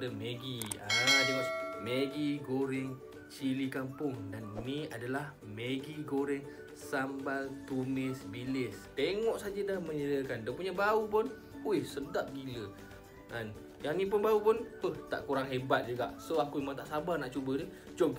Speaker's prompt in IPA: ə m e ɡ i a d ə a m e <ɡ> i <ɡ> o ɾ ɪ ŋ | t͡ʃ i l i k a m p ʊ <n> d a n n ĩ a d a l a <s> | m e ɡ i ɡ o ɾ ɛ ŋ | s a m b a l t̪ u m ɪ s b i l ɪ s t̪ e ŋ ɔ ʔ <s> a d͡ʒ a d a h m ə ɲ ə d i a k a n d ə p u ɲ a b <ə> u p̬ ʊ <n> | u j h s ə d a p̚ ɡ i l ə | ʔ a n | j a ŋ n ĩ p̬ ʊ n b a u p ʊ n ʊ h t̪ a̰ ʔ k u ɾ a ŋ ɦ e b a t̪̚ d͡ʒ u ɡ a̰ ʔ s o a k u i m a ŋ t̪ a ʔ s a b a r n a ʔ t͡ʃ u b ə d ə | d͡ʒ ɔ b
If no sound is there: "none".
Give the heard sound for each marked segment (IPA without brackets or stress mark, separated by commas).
ɡ, ɡ, ŋ, h, s, a, n